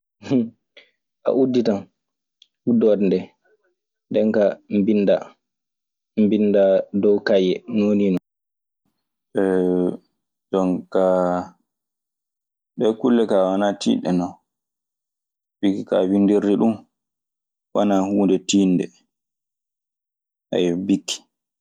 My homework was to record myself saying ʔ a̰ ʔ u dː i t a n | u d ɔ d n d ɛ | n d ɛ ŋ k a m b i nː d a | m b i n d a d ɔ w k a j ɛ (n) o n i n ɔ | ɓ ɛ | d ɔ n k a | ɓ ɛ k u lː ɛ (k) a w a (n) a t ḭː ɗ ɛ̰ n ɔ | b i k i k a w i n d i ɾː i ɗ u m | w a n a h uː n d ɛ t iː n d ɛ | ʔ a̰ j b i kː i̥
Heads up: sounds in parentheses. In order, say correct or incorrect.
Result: correct, correct, correct

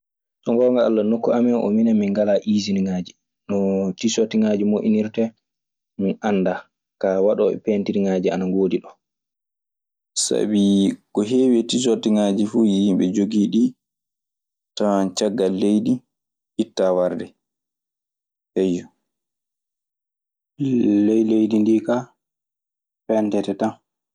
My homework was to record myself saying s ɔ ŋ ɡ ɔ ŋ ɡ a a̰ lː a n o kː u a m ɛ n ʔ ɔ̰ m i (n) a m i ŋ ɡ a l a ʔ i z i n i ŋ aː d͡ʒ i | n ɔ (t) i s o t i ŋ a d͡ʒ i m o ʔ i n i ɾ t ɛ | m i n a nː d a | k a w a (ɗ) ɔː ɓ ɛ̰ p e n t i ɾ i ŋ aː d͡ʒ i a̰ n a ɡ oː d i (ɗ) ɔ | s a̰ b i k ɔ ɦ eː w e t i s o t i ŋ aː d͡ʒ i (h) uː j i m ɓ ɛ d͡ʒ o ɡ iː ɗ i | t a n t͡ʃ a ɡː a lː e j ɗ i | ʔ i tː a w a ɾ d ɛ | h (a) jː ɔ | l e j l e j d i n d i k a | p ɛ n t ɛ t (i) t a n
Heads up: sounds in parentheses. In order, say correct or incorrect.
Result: correct, correct, correct, correct, incorrect: f, incorrect: ɛ, incorrect: ɛ

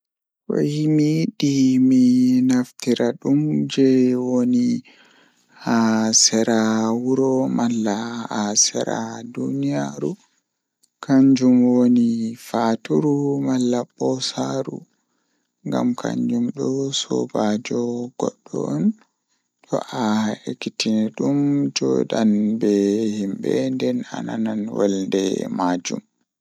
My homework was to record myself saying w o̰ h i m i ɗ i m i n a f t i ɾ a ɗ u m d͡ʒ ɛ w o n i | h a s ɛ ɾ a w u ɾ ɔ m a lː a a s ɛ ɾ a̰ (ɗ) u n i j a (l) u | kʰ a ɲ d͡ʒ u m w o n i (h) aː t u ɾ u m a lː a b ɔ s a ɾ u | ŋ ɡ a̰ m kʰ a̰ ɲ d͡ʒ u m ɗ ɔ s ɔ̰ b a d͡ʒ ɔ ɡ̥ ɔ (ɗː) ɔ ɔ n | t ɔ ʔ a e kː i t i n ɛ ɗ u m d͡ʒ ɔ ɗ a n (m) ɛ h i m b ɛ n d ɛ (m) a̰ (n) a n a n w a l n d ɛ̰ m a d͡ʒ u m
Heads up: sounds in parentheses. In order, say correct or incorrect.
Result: incorrect: d, incorrect: ɾ, incorrect: f, correct, incorrect: b, incorrect: n, correct

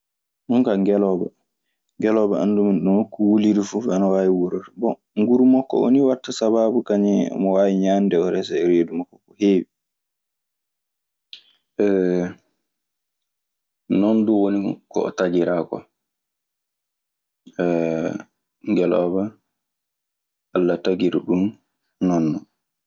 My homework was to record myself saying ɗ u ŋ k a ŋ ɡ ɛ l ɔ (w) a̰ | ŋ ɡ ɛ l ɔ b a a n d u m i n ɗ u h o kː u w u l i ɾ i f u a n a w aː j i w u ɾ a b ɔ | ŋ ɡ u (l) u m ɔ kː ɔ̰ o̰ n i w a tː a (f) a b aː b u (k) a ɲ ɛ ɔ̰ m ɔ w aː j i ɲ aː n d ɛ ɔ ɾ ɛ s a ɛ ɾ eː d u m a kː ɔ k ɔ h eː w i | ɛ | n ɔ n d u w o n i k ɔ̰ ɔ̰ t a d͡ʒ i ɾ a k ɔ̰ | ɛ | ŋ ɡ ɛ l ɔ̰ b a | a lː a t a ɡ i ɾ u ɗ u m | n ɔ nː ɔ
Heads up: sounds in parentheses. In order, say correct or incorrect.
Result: incorrect: b, incorrect: ɾ, incorrect: s, correct

